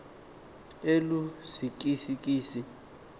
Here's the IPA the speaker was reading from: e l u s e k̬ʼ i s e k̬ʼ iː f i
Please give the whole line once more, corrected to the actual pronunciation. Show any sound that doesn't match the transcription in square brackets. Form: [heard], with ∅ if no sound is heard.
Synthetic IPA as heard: e l u s [i] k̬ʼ i s [i] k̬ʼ iː [s] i